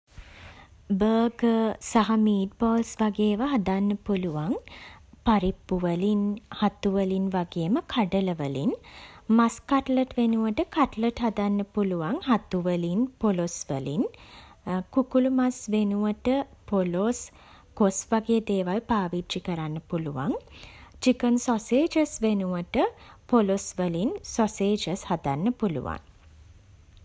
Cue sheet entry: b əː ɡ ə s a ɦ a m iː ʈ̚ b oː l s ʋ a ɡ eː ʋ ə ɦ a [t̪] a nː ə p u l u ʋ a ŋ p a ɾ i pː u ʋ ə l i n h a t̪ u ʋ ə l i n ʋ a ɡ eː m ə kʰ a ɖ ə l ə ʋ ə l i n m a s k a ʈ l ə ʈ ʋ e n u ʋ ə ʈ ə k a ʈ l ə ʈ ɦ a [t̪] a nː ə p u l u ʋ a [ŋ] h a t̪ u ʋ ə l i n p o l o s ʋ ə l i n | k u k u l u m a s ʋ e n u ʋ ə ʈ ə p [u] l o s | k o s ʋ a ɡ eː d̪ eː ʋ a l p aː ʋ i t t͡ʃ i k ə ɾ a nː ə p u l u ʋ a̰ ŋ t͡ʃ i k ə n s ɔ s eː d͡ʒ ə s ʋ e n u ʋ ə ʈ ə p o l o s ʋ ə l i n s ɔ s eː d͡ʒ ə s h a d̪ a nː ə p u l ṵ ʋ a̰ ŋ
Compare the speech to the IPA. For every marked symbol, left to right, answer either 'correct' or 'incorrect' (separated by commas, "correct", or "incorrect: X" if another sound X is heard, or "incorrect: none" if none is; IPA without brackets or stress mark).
incorrect: d̪, incorrect: d̪, correct, incorrect: o